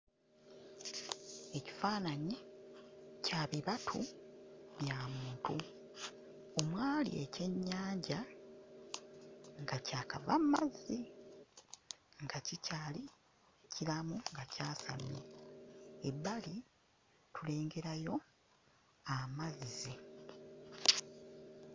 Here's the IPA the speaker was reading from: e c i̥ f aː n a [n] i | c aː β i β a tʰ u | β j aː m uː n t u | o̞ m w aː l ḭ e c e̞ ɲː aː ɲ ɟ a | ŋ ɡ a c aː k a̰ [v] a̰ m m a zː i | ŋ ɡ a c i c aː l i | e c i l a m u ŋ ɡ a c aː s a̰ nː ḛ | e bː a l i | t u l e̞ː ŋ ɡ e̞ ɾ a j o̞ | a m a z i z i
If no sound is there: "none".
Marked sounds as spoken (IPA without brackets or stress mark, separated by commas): ɲ, v